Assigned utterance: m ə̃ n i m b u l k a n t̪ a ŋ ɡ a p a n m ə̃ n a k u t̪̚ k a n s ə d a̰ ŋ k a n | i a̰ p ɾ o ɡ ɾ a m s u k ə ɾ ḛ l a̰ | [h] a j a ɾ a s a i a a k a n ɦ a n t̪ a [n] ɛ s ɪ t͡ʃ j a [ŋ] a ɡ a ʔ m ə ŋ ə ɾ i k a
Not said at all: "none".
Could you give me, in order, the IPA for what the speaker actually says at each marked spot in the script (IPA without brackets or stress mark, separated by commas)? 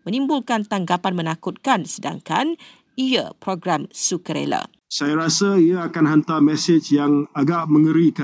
s, m, ŋ